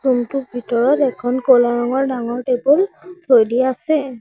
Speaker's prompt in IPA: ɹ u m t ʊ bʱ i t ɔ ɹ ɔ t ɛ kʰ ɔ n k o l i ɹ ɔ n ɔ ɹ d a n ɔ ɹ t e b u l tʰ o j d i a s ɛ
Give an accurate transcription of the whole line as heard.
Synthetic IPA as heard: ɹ u m t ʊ bʱ i t ɔ ɹ ɔ t ɛ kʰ ɔ n k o l a ɹ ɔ ŋ ɔ ɹ d a ŋ ɔ ɹ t e b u l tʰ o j d i a s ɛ